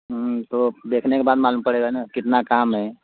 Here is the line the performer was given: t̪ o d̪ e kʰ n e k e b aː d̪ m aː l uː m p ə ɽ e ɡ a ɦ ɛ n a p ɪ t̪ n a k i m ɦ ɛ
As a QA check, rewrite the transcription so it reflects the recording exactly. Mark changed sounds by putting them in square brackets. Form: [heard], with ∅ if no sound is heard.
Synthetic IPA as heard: t̪ o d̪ e kʰ n e k e b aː d̪ m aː l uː m p ə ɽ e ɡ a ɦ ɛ n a [k] ɪ t̪ n a k [a] m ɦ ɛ